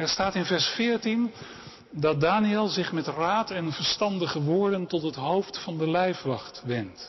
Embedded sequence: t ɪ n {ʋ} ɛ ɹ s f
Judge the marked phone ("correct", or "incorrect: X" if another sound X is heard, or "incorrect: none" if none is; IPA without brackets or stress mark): incorrect: v